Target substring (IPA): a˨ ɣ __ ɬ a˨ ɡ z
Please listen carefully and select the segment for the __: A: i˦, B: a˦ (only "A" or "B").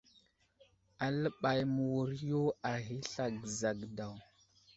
A